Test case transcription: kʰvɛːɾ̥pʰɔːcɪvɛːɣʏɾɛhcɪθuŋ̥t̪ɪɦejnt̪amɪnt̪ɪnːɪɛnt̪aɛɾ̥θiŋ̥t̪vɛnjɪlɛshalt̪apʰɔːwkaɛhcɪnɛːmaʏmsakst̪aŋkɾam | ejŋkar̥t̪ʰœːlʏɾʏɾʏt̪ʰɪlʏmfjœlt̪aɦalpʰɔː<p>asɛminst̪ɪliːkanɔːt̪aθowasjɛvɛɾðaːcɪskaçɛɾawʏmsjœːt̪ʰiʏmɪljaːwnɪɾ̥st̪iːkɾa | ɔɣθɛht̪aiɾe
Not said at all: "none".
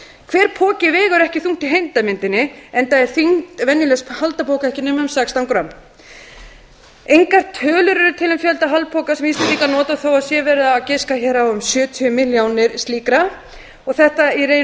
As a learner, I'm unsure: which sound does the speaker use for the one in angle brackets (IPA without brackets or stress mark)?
k